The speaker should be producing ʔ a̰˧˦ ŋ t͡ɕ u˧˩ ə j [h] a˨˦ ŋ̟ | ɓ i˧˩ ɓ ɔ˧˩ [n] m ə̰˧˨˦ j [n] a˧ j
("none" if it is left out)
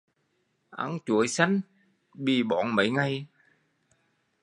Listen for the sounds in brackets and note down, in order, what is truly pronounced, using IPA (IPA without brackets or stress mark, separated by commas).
s, n, ŋ